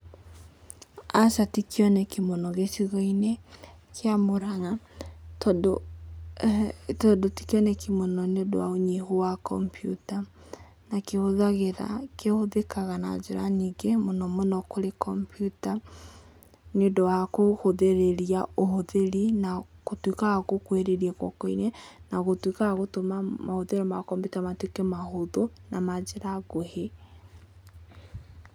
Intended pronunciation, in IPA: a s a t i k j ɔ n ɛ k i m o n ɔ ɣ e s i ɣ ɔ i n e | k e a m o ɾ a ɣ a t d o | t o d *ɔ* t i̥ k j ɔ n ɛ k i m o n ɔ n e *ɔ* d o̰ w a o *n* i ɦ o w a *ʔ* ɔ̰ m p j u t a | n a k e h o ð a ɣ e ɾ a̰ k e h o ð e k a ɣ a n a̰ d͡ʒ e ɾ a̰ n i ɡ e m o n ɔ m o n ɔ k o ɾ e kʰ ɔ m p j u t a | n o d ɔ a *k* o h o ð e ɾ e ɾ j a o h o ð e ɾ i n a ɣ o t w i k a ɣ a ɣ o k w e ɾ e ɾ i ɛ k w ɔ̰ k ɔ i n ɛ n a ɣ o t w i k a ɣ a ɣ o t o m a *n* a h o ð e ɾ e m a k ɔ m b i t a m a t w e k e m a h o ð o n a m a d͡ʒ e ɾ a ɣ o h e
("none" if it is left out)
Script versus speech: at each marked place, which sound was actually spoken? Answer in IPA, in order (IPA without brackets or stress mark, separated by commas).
o, o, ɲ, k, k, m